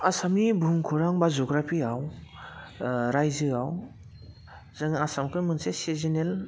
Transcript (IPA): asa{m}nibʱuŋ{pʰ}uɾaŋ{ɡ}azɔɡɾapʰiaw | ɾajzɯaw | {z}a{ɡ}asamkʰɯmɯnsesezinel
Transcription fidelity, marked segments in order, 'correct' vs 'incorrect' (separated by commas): correct, incorrect, incorrect, correct, incorrect